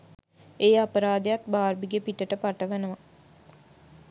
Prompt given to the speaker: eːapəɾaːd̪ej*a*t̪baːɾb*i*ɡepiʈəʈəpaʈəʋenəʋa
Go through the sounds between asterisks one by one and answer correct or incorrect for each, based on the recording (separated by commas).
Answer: correct, correct